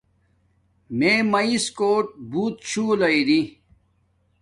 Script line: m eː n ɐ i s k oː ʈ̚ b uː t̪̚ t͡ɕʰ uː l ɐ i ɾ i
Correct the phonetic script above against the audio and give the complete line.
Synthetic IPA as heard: m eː m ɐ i s k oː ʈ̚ b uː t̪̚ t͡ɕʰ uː l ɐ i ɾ i